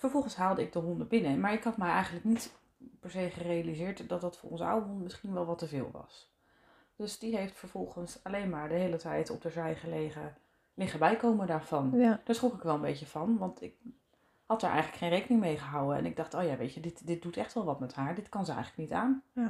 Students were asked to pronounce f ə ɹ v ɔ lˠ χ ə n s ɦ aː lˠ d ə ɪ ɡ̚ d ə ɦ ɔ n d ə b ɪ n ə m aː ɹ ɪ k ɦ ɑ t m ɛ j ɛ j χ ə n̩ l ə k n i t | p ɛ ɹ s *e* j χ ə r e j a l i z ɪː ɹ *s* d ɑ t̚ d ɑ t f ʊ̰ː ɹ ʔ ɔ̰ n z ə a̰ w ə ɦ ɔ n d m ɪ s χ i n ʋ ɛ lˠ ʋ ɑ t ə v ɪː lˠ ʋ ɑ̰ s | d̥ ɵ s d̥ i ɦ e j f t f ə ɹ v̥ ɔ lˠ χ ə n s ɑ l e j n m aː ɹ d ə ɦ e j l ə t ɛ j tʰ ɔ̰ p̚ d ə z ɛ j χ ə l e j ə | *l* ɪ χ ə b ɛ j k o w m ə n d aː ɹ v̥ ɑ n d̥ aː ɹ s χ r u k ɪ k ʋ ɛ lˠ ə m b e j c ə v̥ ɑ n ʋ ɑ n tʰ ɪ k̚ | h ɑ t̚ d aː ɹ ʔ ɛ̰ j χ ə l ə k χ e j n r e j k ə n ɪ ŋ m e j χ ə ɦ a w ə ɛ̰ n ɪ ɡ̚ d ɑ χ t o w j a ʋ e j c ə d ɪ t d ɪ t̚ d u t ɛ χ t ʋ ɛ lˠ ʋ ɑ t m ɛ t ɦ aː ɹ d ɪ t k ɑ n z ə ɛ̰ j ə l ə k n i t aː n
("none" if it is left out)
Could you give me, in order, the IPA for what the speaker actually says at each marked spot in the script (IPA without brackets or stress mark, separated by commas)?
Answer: e, t, l